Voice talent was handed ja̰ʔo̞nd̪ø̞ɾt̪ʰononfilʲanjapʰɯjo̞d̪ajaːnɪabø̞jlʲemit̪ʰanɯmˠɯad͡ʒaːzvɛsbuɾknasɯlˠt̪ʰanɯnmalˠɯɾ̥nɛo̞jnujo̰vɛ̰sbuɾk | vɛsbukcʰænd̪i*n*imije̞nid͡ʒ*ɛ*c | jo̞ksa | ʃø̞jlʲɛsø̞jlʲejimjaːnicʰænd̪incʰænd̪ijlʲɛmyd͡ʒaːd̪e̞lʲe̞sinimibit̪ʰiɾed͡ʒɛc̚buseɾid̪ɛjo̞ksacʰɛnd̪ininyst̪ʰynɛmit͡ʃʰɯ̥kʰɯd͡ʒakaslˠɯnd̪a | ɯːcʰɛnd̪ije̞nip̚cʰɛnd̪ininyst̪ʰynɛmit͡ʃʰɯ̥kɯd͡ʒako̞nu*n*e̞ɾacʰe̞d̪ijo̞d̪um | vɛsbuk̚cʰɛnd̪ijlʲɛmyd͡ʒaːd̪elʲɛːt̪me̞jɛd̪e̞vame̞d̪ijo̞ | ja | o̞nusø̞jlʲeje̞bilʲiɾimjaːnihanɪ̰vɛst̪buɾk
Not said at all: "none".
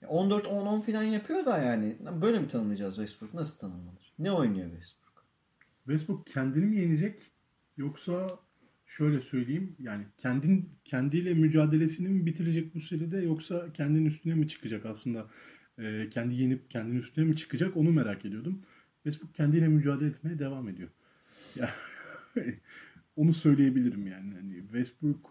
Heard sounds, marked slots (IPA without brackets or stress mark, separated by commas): n, ɛ, m